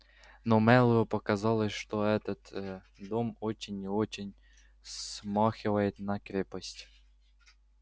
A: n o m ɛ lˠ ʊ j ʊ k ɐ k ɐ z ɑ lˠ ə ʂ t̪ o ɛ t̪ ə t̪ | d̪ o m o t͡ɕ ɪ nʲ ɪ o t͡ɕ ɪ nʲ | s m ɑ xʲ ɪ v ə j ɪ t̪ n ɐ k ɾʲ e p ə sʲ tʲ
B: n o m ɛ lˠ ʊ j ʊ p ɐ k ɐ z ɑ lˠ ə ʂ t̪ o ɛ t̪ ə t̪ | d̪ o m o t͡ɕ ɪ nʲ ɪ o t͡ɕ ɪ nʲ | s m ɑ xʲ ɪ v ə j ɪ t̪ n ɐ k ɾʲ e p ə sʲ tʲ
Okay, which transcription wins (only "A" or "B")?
B